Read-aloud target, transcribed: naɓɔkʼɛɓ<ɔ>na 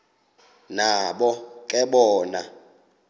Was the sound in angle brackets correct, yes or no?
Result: no